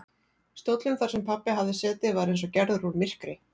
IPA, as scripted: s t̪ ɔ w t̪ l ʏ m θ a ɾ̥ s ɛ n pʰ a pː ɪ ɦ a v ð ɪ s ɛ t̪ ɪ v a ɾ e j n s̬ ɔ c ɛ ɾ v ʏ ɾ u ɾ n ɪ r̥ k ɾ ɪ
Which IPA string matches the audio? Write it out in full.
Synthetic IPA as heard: s t̪ o w t̪ l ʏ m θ a ɾ̥ s ɛ m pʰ a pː ɪ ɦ a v ð ɪ s ɛː t̪ ɪ v a ɾ e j n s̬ ɔ c ɛ ɾ ð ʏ ɾ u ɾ m ɪ r̥ k ɾ ɪ